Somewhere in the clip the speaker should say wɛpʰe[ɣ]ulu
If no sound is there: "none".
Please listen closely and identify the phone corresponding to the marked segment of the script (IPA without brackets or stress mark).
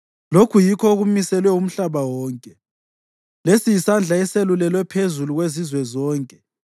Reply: z